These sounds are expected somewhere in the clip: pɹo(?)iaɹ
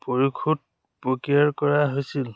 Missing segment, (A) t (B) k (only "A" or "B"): B